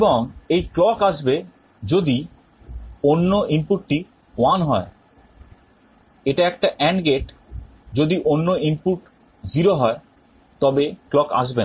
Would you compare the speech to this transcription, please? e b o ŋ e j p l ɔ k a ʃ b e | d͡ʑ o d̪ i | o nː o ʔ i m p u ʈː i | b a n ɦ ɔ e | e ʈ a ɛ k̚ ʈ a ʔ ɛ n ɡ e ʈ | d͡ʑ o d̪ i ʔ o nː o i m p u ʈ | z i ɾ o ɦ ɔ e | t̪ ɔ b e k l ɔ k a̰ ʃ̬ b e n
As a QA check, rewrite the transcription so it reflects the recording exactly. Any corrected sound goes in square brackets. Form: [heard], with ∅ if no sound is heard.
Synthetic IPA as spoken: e b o ŋ e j [k] l ɔ k a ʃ b e | d͡ʑ o d̪ i | o nː o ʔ i m p u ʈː i | [w] a n ɦ ɔ e | e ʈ a ɛ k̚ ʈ a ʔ ɛ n ɡ e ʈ | d͡ʑ o d̪ i ʔ o nː o i m p u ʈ | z i ɾ o ɦ ɔ e | t̪ ɔ b e k l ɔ k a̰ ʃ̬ b e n